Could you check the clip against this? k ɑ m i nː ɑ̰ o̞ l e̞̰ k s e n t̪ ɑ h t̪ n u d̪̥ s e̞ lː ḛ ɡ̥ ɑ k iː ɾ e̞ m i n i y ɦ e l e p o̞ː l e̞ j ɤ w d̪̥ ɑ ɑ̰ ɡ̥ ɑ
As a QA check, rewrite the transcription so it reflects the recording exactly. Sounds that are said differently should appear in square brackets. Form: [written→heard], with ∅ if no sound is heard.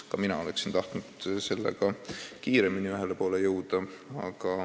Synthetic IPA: k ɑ m i [nː→n] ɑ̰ o̞ l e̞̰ k s [e→i] n t̪ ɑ h t̪ n u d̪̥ s e̞ lː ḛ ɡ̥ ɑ k iː ɾ e̞ m i n i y ɦ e l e p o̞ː l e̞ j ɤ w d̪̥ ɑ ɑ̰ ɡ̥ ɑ

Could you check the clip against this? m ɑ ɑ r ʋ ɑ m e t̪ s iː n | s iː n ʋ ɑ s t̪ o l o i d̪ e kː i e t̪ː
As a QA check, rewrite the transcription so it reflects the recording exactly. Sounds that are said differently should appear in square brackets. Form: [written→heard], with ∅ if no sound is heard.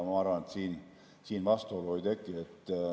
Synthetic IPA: m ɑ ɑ r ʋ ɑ [m→n] e t̪ s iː n | s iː n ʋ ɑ s t̪ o l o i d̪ e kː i e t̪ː

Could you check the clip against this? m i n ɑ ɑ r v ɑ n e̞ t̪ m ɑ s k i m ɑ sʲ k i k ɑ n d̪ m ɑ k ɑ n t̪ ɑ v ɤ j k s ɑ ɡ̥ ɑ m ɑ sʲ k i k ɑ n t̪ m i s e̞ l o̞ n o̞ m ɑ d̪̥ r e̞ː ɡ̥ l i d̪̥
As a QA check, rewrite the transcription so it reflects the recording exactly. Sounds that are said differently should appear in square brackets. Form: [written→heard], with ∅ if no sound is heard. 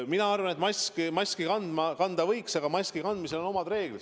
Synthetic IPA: m i n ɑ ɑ r v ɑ n e̞ t̪ m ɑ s k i m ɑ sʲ k i k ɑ n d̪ m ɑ k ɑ n [t̪→d̪] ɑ v ɤ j k s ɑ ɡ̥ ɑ m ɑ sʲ k i k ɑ n [t̪→d̪] m i s e̞ l o̞ n o̞ m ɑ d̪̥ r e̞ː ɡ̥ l i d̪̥

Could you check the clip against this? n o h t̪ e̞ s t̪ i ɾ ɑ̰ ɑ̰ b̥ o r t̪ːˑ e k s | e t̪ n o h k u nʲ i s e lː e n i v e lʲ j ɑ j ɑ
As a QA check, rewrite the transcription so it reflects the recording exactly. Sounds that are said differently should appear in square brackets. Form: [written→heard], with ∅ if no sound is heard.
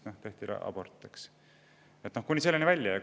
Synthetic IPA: n o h t̪ e̞ [s→h] t̪ i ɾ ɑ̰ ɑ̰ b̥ o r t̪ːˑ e k s | e t̪ n o h k u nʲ i s e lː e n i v [e→æ] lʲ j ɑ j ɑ

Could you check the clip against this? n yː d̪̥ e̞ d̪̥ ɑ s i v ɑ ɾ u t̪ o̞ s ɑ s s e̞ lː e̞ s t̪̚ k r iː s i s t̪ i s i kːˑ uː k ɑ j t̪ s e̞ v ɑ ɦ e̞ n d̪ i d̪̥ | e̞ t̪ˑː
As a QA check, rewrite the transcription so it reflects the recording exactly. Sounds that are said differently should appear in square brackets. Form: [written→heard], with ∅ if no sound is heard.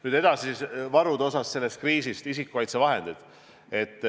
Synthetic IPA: n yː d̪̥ e̞ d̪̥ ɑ s i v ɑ ɾ u [t̪→d̪] o̞ s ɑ s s e̞ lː e̞ s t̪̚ k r iː s i s t̪ i s i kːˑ [uː→u] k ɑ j t̪ s e̞ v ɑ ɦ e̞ n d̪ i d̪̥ | e̞ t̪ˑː

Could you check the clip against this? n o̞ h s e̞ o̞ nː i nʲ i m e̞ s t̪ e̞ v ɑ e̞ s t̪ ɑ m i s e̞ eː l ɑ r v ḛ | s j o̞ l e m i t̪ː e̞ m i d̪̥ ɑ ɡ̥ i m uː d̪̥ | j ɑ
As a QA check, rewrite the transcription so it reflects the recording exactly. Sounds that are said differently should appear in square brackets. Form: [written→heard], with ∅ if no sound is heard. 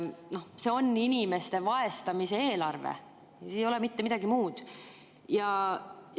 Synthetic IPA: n o̞ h s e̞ o̞ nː i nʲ i m e̞ s t̪ e̞ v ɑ e̞ s t̪ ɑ m i s e̞ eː l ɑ r v ḛ | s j o̞ l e m i t̪ː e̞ m i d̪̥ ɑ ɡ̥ i m uː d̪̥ | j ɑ

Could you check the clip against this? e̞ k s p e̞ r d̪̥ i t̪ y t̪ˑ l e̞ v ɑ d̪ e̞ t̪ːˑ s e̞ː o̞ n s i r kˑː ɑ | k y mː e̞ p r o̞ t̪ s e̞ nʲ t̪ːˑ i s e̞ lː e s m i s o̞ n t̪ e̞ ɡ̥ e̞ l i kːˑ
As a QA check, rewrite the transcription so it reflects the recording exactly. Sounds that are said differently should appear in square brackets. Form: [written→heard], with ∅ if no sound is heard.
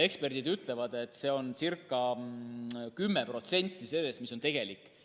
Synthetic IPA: e̞ k s p e̞ r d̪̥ i [t̪→d̪] y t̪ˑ l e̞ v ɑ d̪ e̞ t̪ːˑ s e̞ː o̞ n s i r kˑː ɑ | k y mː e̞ p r o̞ t̪ s e̞ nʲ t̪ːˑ i s e̞ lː e s m i s o̞ n t̪ e̞ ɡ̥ e̞ l i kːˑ

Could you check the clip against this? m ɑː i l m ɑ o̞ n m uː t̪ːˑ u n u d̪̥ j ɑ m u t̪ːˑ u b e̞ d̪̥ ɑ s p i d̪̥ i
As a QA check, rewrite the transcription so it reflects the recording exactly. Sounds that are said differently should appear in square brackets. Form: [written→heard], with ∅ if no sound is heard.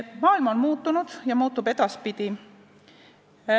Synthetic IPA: m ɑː i l m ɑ o̞ n m uː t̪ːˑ u n u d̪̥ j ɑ m [u→uː] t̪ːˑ u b e̞ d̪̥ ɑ s p i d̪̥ i

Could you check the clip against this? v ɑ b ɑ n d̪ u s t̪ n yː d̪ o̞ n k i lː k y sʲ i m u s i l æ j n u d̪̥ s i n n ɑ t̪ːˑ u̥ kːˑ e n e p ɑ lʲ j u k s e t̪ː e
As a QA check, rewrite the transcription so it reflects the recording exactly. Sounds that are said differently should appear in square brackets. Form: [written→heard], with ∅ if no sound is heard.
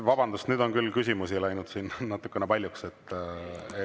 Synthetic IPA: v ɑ b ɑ n d̪ u s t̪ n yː d̪ o̞ n k [i→y] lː k y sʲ i m u s i l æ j n u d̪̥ s i n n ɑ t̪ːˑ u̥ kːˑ e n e p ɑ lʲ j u k s e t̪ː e

